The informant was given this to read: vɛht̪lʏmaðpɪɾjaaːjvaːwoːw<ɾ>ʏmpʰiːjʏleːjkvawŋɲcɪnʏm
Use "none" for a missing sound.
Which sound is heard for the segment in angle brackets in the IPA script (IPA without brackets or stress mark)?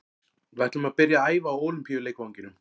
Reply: l